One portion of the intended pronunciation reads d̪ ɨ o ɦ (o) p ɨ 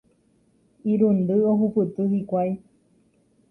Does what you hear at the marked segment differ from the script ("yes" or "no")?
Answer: yes